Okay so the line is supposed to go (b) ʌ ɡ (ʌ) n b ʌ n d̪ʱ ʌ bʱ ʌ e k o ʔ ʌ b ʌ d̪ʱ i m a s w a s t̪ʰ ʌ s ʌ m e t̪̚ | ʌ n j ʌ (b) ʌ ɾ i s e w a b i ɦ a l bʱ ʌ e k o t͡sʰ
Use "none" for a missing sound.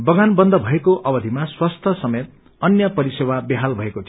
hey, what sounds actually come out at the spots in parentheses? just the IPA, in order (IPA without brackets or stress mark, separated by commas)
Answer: b, a, p